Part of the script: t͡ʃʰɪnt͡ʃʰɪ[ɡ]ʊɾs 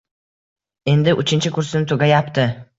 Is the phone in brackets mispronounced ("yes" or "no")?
yes